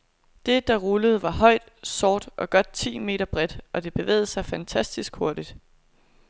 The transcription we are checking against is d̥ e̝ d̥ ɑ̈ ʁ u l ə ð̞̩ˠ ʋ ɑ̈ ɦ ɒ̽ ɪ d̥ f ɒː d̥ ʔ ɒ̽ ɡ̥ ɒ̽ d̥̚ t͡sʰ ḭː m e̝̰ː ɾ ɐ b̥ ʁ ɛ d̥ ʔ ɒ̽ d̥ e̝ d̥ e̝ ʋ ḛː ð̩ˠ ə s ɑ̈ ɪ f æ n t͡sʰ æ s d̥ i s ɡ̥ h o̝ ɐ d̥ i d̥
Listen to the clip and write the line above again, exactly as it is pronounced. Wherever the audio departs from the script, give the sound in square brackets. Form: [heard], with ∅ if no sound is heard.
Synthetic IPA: d̥ e̝ d̥ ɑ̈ ʁ u l ə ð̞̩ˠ ʋ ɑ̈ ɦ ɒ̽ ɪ d̥ [s] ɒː d̥ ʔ ɒ̽ ɡ̥ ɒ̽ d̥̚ t͡sʰ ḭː m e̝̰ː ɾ ɐ b̥ ʁ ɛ d̥ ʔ ɒ̽ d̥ e̝ [b̥] e̝ ʋ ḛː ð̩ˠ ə s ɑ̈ ɪ f æ n t͡sʰ æ s d̥ i s ɡ̥ h o̝ ɐ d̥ i d̥